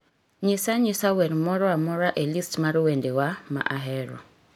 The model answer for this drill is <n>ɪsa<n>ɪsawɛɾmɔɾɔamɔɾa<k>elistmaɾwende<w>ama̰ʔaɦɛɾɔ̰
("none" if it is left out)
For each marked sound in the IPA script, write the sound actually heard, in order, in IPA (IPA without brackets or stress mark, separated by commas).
ɲ, ɲ, ʔ, w